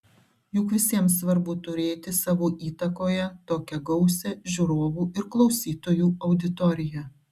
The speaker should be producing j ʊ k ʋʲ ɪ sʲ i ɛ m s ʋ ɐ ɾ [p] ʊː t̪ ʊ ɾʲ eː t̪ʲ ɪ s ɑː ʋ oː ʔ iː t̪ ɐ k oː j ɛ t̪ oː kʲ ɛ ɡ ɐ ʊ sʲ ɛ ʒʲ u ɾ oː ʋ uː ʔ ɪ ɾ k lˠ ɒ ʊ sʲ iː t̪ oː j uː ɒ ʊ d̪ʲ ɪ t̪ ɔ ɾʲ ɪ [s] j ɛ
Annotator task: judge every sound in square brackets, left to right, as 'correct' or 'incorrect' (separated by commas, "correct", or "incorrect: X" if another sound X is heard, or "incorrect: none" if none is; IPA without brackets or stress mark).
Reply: incorrect: b, incorrect: none